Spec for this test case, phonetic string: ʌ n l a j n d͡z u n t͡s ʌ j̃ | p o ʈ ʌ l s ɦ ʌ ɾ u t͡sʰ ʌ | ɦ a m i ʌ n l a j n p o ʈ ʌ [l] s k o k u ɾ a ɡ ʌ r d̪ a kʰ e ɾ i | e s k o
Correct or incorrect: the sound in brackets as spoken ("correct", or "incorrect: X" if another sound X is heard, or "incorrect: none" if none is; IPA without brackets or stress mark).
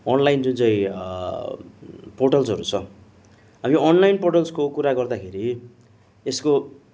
correct